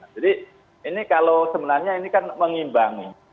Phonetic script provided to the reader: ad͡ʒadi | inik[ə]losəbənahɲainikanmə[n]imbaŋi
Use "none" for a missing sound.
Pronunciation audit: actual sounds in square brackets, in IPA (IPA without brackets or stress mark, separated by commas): a, ŋ